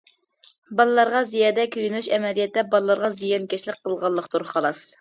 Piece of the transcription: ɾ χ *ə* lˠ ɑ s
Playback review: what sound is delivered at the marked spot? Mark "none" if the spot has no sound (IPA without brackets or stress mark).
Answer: ɑ